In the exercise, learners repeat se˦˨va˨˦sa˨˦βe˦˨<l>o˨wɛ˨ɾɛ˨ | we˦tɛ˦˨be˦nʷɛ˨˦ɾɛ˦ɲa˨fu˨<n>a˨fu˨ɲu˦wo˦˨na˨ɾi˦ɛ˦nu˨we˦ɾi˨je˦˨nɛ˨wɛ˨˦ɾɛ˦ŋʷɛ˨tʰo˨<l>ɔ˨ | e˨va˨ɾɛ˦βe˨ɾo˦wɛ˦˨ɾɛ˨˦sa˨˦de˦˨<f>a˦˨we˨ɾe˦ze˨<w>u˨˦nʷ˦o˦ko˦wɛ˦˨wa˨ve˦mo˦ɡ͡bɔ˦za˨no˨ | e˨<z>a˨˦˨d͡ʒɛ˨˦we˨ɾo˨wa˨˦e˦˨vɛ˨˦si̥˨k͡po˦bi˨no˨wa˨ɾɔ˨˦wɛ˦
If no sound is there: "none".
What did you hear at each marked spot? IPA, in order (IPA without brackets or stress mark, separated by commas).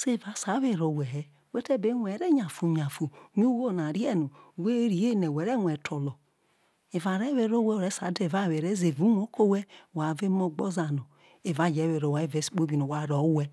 ɾ, ɲ, l, v, v, v